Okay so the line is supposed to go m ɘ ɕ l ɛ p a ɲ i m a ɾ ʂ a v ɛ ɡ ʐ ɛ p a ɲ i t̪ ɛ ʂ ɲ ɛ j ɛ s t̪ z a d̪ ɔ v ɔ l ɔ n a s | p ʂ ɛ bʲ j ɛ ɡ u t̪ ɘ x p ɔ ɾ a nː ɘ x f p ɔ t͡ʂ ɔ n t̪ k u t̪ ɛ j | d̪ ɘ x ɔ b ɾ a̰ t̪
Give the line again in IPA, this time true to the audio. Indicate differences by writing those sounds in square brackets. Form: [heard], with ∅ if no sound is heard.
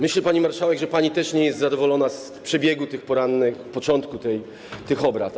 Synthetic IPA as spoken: m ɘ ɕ l ɛ p a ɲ i m a ɾ ʂ a [w] ɛ ɡ ʐ ɛ p a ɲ i t̪ ɛ ʂ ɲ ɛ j ɛ s t̪ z a d̪ ɔ v ɔ l ɔ n a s | p ʂ ɛ bʲ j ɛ ɡ u t̪ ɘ x p ɔ ɾ a nː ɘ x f p ɔ t͡ʂ ɔ n t̪ k u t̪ ɛ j | [t̪] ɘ x ɔ b ɾ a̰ t̪